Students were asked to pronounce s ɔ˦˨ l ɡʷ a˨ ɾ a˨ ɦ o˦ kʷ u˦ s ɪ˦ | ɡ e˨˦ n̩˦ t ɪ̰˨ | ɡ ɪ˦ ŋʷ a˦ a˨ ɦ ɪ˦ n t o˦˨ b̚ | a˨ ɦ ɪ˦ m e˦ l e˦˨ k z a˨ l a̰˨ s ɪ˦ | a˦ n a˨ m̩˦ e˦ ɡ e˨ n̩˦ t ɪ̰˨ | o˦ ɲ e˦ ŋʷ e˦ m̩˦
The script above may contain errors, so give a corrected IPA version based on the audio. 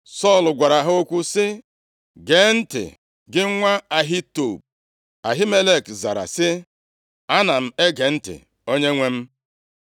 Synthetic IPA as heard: s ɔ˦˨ l ɡʷ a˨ ɾ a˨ ɦ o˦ kʷ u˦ s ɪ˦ | ɡ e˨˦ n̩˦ t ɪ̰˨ | ɡ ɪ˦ ŋʷ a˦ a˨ ɦ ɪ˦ t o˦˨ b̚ | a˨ ɦ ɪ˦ m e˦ l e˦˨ k z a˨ ɾ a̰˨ s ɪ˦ | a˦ n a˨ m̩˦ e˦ ɡ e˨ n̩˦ t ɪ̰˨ | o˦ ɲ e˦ ŋʷ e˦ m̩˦